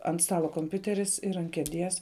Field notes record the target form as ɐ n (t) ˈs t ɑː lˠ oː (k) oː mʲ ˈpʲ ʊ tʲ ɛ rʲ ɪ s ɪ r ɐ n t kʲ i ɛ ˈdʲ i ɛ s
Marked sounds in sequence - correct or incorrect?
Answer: correct, correct

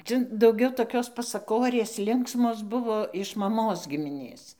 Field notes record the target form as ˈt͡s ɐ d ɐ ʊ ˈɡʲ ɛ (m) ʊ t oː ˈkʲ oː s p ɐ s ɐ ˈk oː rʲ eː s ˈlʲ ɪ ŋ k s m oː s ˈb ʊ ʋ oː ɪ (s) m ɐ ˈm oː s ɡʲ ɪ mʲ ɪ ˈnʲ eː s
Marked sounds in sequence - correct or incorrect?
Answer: incorrect: none, incorrect: ʃ

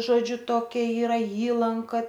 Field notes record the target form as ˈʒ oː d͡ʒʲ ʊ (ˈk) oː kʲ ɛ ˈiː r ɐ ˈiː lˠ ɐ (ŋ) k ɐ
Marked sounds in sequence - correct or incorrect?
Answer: incorrect: t, correct

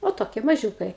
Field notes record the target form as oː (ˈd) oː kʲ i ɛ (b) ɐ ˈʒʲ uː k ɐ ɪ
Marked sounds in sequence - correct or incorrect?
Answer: incorrect: t, incorrect: m

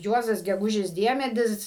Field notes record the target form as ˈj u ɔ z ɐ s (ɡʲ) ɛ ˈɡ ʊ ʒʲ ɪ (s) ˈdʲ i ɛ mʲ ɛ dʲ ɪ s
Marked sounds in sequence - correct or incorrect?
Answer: correct, correct

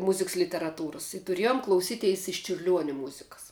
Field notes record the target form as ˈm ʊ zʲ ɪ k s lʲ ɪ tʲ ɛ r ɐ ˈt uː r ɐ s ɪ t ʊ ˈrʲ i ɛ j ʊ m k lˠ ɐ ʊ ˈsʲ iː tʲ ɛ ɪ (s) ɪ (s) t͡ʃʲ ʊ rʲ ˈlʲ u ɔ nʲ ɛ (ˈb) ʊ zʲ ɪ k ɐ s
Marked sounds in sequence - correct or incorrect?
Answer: correct, incorrect: ʃ, incorrect: m

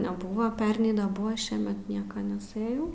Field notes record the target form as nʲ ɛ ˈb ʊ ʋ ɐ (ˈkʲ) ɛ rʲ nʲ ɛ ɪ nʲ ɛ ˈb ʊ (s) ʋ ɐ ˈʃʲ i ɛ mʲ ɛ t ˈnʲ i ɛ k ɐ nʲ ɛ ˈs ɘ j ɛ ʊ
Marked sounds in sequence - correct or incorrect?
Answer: incorrect: pʲ, incorrect: none

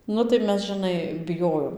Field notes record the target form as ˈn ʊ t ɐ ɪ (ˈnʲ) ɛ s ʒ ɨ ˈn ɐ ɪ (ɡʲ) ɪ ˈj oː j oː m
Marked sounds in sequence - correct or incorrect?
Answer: incorrect: mʲ, incorrect: bʲ

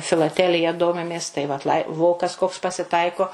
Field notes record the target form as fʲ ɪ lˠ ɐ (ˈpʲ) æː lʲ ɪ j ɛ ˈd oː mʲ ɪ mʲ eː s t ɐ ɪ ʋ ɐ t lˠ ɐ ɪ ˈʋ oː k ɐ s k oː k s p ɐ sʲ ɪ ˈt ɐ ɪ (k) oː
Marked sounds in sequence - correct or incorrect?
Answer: incorrect: tʲ, correct

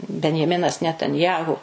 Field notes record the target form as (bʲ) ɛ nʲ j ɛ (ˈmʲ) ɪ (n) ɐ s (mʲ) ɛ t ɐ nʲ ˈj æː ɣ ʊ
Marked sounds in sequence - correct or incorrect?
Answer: correct, correct, correct, incorrect: nʲ

